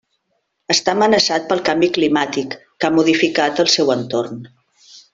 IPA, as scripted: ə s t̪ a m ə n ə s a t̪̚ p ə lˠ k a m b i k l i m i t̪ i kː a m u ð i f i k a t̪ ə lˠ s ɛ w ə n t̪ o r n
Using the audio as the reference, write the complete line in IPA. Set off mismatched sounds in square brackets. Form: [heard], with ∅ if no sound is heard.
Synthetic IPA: ə s t̪ a m ə n ə s a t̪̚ p ə lˠ k a m b i k l i m [a] t̪ i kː a m u ð i f i k a t̪ ə lˠ s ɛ w ə n t̪ o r n